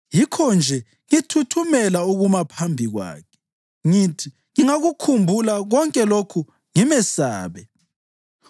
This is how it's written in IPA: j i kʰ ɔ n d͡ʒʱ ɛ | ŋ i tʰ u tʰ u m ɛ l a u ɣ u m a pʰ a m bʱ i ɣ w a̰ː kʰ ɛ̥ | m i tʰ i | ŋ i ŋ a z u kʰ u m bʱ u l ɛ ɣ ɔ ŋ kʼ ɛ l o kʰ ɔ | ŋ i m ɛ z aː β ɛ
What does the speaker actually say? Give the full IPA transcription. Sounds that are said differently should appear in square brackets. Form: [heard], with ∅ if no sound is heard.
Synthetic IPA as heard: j i kʰ ɔ n d͡ʒʱ ɛ | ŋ i tʰ u tʰ u m ɛ l a u ɣ u m a pʰ a m bʱ i ɣ w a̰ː kʰ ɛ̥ | [ŋ] i tʰ i | ŋ i ŋ a [ɣ] u kʰ u m bʱ u l [a] ɣ ɔ ŋ kʼ ɛ l o kʰ [u] | ŋ i m ɛ [s] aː β ɛ